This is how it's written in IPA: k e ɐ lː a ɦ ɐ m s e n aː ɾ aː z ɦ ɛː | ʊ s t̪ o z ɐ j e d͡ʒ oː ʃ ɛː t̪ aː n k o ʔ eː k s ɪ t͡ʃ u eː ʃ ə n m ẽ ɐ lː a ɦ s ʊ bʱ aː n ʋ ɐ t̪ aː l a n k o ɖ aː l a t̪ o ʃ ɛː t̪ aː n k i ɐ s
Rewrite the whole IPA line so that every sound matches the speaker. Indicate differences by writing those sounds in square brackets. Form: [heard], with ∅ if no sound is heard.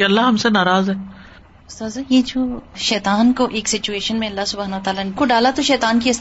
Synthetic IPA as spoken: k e ɐ lː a ɦ ɐ m s e n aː ɾ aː z ɦ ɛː | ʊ s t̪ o z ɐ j e d͡ʒ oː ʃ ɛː t̪ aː n k o ʔ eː k s ɪ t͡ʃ u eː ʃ ə n m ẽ ɐ lː a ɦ s ʊ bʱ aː n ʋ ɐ t̪ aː l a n k o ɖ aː l a t̪ o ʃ ɛː t̪ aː n k i ɐ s